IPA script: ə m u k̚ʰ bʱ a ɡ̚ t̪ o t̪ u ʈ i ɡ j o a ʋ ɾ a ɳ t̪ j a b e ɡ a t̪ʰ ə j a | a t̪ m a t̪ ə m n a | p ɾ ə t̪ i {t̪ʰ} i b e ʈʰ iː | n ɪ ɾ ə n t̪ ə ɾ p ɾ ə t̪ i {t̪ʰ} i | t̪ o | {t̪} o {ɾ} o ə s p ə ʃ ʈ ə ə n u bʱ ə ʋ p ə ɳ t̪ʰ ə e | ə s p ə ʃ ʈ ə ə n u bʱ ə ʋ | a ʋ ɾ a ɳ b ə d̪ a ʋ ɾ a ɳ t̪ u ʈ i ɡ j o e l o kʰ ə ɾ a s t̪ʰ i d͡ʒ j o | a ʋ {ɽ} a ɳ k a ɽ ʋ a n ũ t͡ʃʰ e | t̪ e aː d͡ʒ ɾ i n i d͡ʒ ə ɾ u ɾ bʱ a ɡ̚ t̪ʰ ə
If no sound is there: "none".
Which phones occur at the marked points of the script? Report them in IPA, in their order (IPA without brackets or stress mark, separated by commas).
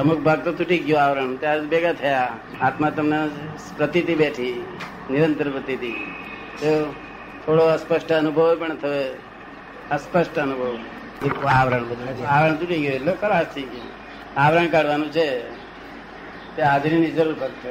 t̪, t̪, t̪ʰ, ɽ, ɾ